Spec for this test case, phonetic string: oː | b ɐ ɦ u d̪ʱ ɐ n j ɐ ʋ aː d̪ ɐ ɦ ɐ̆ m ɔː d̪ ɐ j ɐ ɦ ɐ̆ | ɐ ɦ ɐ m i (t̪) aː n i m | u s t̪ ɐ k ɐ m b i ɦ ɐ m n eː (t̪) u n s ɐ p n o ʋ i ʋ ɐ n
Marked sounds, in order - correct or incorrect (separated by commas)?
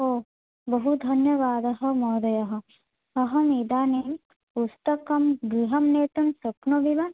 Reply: incorrect, correct